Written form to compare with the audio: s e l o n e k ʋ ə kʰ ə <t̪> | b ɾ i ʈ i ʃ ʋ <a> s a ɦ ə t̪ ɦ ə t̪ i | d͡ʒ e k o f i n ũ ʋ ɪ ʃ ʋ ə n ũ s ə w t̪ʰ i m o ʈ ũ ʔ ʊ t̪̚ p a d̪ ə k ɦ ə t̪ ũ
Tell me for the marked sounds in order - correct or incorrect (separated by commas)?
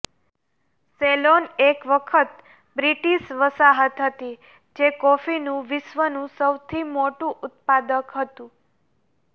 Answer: correct, incorrect